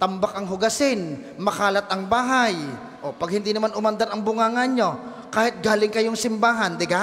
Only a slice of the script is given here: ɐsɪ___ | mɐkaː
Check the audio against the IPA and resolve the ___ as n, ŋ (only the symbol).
n